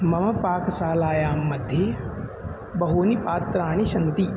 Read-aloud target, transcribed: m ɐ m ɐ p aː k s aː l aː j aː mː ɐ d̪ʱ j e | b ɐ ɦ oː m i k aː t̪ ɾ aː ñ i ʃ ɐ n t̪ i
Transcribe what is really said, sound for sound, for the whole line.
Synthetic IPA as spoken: m ɐ m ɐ p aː k s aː l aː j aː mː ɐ d̪ʱ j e | b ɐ ɦ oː n i p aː t̪ ɾ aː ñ i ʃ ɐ n t̪ i